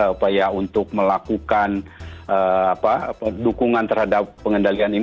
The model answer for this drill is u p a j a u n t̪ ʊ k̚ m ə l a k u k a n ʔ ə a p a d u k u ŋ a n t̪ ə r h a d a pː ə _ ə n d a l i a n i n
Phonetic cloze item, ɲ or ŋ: ŋ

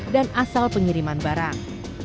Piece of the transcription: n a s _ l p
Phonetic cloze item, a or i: a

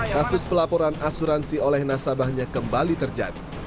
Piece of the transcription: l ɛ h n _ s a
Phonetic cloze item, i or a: a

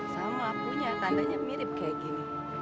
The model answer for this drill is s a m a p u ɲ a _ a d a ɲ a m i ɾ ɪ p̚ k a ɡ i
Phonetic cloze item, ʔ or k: k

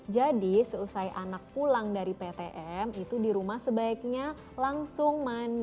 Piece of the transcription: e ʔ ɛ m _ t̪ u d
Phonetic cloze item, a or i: i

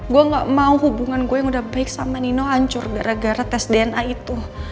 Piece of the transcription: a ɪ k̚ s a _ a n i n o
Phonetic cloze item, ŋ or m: m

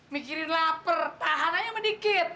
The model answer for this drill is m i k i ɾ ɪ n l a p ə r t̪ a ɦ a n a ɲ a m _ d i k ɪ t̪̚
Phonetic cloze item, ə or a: ə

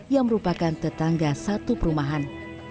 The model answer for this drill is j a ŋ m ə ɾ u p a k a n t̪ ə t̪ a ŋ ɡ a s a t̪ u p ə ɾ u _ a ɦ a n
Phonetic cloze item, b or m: m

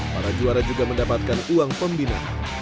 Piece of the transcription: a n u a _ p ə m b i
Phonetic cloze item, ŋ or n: ŋ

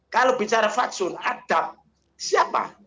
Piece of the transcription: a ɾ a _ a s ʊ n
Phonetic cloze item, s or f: f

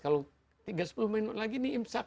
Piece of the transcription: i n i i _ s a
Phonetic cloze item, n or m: m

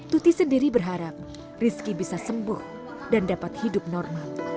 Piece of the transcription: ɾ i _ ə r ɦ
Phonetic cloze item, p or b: b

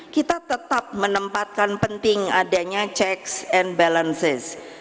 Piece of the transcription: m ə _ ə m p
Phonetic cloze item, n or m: n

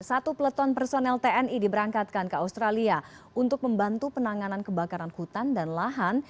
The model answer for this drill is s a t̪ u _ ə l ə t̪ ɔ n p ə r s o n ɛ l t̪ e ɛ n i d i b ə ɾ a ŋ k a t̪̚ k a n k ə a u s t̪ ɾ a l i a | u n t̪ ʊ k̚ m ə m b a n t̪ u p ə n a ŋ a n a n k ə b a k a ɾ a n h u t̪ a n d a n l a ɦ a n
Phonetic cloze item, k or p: p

